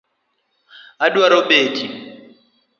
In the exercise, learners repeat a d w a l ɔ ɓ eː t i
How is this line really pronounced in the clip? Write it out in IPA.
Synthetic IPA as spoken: a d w a ɾ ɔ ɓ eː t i